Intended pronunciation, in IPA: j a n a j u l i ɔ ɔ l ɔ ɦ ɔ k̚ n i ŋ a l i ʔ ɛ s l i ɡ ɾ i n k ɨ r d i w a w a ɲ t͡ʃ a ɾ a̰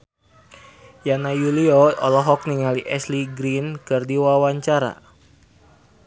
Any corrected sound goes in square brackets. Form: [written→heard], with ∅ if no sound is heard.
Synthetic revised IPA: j a n a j u l i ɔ ɔ l ɔ ɦ ɔ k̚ n i ŋ a l i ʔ ɛ s l i ɡ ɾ i n k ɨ r d i w a w a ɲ t͡ʃ a ɾ a̰